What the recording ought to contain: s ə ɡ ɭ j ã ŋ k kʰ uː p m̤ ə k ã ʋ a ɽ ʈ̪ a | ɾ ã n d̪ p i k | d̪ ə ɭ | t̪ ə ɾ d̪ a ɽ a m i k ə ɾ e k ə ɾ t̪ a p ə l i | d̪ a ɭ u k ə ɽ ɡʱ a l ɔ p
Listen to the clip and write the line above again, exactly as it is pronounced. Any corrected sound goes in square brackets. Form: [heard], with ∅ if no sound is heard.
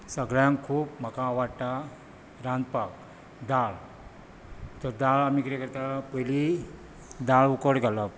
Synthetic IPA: s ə ɡ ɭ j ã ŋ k kʰ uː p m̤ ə k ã ʋ a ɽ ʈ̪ a | ɾ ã n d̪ p [a] k | d̪ [a] ɭ | t̪ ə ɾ d̪ a [ɭ] a m i k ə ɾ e k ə ɾ t̪ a p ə l i | d̪ a ɭ u k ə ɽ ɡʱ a l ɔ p